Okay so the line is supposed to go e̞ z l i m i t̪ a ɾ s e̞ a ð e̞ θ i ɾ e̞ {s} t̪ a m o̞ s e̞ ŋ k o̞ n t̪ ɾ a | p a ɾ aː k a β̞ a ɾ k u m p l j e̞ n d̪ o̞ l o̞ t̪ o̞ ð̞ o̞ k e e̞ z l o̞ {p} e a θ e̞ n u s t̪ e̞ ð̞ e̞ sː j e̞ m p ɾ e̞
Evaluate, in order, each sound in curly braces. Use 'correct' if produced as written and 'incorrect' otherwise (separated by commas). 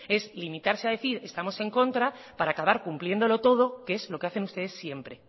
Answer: correct, incorrect